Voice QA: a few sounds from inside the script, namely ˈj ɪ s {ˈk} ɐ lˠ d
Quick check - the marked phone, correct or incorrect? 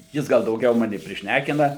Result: incorrect: ɡ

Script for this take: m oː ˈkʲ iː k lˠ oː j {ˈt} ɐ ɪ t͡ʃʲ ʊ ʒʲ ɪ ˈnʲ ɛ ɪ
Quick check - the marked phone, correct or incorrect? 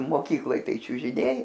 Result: correct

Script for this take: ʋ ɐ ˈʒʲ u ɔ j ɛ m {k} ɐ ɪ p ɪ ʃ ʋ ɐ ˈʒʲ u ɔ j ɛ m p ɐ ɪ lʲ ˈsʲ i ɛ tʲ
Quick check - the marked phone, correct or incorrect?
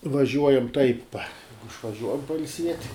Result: incorrect: t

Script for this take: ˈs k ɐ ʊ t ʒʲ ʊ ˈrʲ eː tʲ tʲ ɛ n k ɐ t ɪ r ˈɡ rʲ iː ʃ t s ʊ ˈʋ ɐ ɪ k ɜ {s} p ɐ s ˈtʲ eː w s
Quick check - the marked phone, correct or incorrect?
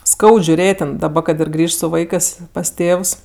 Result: correct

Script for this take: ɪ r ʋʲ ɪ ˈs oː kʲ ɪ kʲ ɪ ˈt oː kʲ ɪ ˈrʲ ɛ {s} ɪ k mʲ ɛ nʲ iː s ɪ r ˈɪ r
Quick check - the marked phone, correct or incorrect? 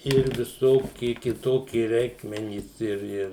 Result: incorrect: none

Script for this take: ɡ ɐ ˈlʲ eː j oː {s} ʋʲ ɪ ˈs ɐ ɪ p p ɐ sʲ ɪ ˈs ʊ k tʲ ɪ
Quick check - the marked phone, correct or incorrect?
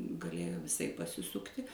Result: incorrect: none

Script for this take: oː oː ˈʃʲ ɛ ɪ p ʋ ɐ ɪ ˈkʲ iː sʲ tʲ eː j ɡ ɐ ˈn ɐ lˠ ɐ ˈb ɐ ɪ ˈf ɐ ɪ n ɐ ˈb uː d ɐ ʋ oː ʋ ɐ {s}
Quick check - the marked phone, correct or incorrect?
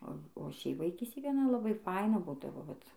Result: incorrect: t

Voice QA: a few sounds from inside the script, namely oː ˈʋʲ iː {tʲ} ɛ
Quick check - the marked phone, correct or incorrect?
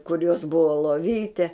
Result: correct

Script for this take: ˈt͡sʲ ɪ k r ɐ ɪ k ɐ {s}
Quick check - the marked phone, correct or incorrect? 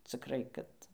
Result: incorrect: t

